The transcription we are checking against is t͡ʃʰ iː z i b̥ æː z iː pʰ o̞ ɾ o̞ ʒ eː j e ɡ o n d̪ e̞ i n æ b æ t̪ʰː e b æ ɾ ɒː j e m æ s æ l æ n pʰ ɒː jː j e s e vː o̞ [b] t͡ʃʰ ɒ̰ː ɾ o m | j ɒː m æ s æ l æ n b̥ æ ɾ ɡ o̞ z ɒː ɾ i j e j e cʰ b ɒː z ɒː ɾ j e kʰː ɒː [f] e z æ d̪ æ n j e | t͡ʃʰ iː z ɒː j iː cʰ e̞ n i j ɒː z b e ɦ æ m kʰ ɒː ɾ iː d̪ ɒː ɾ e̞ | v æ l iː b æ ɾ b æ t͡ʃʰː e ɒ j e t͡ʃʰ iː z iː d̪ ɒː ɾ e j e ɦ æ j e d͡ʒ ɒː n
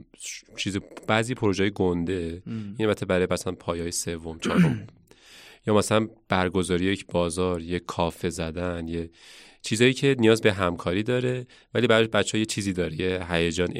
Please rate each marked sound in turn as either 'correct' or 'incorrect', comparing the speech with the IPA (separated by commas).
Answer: incorrect, correct